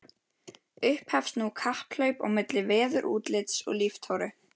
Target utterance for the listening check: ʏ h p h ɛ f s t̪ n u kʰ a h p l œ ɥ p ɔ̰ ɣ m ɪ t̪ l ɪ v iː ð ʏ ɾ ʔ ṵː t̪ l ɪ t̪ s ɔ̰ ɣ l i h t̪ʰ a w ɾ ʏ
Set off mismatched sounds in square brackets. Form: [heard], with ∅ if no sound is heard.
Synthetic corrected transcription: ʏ h p h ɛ f s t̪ n u kʰ a h p l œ ɥ p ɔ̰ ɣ m ɪ t̪ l ɪ v [ɛː] ð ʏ ɾ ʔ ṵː t̪ l ɪ t̪ s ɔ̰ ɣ l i [f] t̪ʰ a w ɾ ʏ